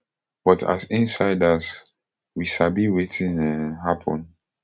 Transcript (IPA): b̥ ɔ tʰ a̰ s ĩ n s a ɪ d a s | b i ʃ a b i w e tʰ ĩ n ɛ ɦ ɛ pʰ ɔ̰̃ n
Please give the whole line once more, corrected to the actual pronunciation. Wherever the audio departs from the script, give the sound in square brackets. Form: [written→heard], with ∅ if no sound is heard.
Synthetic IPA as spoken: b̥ ɔ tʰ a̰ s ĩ n s a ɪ d a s | [b→w] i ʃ a b i w e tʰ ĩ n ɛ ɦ [ɛ→a] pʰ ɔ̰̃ n